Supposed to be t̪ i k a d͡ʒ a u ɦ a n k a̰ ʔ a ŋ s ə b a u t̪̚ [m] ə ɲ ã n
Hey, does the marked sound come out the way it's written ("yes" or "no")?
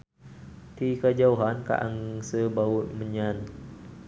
yes